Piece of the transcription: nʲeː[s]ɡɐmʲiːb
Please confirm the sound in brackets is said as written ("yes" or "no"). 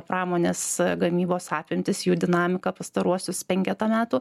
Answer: yes